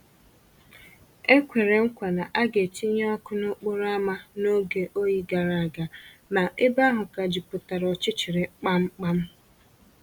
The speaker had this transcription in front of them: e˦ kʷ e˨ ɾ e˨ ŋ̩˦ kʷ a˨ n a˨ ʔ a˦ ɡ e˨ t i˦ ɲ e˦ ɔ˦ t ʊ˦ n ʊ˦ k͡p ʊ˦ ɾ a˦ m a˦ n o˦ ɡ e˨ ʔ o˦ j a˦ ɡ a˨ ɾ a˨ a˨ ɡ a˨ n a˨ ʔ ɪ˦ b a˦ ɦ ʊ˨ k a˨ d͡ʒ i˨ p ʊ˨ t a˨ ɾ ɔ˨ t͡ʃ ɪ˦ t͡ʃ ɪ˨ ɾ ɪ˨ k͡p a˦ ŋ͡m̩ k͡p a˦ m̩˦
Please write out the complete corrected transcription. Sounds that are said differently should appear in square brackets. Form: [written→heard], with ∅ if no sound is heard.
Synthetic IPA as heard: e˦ kʷ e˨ ɾ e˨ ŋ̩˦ kʷ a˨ n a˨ ʔ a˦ ɡ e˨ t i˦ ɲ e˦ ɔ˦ [t→k] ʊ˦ n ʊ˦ k͡p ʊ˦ ɾ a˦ m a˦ n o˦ ɡ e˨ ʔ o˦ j [a˦→i˦] ɡ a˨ ɾ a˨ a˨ ɡ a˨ n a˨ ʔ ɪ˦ b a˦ ɦ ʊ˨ k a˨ d͡ʒ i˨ p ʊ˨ t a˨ ɾ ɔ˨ t͡ʃ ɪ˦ t͡ʃ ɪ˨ ɾ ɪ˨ k͡p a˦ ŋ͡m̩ k͡p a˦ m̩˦